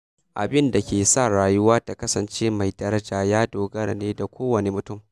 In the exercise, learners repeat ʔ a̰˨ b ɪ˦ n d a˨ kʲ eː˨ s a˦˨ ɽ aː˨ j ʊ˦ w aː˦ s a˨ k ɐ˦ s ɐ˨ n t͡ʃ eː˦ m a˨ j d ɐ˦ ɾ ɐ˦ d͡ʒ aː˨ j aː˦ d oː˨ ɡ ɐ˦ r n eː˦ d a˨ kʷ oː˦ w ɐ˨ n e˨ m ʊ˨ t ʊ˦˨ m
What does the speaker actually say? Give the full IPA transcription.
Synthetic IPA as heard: ʔ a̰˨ b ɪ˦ n d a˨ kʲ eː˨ s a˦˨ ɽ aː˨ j ʊ˦ w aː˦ t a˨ k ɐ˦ s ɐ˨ n t͡ʃ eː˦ m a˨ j d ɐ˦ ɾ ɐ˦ d͡ʒ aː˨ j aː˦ d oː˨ ɡ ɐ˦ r n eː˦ d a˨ kʷ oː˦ w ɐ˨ n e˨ m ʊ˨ t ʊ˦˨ m